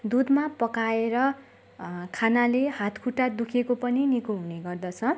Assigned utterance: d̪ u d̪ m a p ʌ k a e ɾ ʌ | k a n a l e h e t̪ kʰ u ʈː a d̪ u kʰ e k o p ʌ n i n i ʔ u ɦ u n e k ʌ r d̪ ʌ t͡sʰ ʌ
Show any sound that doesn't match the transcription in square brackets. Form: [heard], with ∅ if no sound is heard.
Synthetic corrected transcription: d̪ u d̪ m a p ʌ k a e ɾ ʌ | [kʰ] a n a l e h [a] t̪ kʰ u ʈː a d̪ u kʰ e k o p ʌ n i n i [k] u ɦ u n e [ɡ] ʌ r d̪ ʌ t͡sʰ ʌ